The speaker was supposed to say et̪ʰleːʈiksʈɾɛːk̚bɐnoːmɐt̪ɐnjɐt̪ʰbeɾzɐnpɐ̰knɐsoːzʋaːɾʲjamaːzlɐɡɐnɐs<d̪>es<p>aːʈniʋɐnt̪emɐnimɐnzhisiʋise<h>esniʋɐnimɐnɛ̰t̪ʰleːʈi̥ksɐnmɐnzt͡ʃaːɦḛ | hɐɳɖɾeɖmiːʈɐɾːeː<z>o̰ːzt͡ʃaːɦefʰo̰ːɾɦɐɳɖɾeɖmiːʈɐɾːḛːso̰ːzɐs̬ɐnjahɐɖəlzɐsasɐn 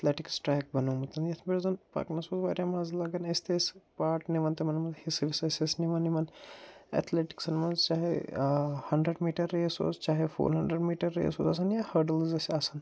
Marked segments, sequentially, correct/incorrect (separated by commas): incorrect, correct, incorrect, incorrect